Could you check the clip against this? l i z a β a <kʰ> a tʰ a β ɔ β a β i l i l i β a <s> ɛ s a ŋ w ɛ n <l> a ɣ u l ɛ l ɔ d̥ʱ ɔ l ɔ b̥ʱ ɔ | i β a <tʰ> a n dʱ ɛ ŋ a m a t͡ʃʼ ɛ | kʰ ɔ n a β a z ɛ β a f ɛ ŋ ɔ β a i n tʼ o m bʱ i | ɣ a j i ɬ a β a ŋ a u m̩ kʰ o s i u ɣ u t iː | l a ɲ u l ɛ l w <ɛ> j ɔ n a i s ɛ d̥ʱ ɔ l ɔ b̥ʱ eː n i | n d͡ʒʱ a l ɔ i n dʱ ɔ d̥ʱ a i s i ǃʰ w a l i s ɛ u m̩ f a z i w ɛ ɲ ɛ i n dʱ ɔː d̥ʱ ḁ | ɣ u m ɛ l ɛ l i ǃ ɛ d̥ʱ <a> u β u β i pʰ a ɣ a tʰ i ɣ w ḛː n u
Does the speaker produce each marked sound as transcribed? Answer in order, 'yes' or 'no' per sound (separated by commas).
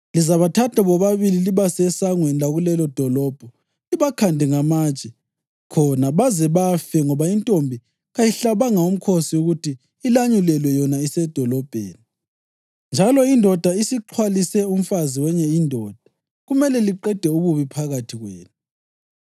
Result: no, yes, yes, no, yes, no